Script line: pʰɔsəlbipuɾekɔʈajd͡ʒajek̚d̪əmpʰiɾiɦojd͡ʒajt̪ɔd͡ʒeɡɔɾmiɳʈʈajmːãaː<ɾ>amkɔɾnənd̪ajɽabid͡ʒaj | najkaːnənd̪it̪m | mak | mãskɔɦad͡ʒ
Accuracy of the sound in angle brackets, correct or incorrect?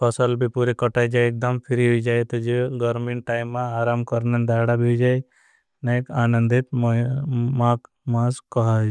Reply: correct